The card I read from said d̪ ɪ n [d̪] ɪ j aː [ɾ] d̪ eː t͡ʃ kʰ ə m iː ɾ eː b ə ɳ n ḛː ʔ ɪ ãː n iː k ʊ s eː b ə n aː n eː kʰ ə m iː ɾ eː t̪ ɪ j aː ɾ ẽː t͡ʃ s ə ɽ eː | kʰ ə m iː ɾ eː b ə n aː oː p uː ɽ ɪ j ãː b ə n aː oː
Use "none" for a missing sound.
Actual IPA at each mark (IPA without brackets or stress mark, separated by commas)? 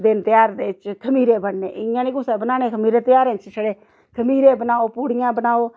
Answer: t̪, ɾ